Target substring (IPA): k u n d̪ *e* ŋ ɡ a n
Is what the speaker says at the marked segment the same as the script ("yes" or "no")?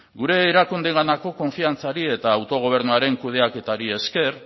yes